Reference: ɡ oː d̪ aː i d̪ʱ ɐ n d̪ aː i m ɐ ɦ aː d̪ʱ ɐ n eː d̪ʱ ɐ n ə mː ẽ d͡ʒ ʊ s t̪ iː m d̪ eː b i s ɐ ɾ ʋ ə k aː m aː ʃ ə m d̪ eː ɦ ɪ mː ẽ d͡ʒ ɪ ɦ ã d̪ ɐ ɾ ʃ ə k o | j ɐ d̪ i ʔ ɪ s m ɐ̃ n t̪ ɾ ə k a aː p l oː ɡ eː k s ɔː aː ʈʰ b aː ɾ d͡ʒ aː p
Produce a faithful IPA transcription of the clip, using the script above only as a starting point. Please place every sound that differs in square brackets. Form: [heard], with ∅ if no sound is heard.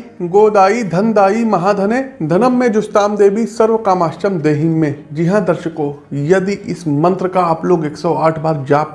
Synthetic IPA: ɡ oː d̪ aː i d̪ʱ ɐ n d̪ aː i m ɐ ɦ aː d̪ʱ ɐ n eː d̪ʱ ɐ n ə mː ẽ d͡ʒ ʊ s t̪ [aː] m d̪ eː b i s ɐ ɾ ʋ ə k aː m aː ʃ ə m d̪ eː ɦ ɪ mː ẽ d͡ʒ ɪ ɦ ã d̪ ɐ ɾ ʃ ə k o | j ɐ d̪ i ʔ ɪ s m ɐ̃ n t̪ ɾ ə k a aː p l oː ɡ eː k s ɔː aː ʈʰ b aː ɾ d͡ʒ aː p